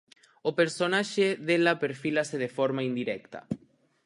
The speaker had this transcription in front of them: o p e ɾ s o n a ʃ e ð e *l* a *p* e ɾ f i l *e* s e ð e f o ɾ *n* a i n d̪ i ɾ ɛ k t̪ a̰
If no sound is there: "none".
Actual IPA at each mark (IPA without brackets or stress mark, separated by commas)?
l, p, a, m